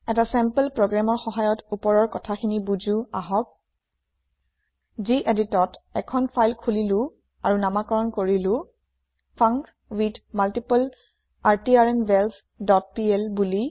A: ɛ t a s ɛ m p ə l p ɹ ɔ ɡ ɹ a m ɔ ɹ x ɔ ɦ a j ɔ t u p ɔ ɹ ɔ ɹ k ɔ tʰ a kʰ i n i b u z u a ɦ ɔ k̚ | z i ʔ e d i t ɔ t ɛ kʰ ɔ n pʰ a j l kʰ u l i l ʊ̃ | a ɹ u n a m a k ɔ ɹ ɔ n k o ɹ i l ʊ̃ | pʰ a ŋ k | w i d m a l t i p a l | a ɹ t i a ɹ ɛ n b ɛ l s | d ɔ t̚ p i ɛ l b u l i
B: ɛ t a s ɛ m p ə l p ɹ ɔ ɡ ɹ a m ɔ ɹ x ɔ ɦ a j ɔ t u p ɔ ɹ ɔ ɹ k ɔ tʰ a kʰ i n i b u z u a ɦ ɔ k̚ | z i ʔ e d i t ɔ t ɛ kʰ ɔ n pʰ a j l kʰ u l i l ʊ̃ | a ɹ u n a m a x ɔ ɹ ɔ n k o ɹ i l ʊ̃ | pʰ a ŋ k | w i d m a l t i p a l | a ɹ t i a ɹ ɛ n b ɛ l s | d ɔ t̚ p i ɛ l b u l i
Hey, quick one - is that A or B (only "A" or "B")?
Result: A